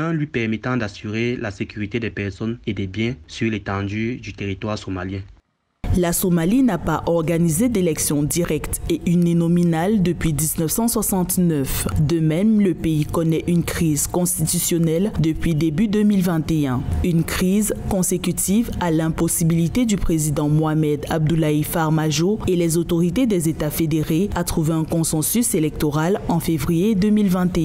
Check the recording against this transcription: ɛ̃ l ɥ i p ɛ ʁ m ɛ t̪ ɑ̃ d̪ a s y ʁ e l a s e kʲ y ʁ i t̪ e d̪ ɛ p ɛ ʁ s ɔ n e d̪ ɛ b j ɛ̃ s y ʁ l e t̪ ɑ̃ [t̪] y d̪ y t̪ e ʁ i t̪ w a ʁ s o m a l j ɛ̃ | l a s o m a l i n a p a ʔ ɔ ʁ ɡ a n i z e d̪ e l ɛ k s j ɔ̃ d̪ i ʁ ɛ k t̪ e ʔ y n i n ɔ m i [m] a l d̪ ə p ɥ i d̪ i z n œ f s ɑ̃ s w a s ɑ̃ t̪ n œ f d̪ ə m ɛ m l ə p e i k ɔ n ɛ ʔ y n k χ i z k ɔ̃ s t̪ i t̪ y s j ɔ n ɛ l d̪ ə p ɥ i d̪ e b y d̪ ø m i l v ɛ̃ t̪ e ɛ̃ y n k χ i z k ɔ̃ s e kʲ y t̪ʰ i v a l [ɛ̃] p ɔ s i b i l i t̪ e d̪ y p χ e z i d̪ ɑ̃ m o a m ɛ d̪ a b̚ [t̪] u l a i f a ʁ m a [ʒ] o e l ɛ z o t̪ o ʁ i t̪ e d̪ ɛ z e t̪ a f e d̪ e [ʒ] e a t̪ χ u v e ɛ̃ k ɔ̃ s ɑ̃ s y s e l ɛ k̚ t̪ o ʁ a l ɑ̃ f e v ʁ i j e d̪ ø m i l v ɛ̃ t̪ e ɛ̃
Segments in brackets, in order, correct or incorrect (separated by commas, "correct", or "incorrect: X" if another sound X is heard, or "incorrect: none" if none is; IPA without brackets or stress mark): incorrect: d̪, incorrect: n, correct, incorrect: d̪, correct, incorrect: ʁ